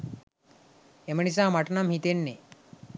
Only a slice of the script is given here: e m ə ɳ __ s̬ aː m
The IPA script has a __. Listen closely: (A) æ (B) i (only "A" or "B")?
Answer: B